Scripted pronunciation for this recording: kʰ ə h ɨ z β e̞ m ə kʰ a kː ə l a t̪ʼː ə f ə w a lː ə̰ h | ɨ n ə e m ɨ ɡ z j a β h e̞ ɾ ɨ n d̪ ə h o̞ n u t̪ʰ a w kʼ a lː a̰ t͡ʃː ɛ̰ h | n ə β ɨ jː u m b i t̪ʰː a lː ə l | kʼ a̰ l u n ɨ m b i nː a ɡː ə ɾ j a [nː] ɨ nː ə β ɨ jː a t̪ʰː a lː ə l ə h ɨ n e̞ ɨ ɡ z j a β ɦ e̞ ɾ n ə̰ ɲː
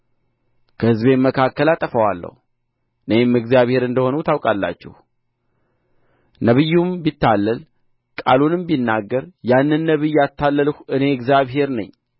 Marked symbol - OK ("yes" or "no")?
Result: yes